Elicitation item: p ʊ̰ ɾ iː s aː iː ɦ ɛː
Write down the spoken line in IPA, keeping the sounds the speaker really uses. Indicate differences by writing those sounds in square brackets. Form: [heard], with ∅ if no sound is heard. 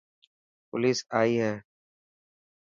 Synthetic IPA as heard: p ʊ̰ [l] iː s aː iː ɦ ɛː